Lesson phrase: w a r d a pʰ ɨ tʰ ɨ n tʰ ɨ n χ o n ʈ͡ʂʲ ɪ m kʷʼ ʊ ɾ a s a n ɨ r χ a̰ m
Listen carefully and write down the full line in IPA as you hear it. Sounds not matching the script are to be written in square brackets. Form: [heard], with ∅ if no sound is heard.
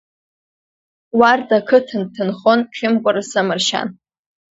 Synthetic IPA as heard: w a r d a [kʰ] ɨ tʰ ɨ n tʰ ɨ n χ o n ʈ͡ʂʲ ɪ m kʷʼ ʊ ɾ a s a [m] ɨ r [ʃ] a̰ [n]